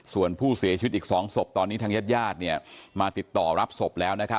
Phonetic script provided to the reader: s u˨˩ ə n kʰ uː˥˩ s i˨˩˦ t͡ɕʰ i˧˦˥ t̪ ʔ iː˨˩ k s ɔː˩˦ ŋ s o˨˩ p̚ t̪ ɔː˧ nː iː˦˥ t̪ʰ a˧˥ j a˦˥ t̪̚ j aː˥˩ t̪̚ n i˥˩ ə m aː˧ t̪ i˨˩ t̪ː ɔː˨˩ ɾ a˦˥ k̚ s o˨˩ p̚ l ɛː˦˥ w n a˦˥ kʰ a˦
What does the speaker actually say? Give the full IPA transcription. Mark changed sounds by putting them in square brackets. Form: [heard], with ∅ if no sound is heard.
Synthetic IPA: s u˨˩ ə n [pʰ] uː˥˩ s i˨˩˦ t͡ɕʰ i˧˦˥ t̪ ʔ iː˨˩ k s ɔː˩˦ ŋ s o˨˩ p̚ t̪ ɔː˧ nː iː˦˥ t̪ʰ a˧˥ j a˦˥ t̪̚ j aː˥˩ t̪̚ n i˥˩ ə m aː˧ t̪ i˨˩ t̪ː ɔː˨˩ ɾ a˦˥ [p̚] s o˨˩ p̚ l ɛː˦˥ w n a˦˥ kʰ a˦